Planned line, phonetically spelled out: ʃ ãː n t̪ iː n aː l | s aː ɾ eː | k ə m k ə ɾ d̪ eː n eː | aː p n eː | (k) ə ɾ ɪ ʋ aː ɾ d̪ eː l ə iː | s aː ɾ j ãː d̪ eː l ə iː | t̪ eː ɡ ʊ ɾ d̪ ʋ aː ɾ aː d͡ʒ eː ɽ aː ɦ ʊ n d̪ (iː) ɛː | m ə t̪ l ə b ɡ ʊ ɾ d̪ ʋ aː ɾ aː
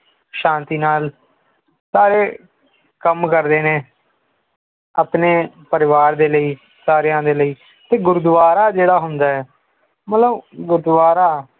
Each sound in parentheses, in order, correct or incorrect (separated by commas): incorrect, incorrect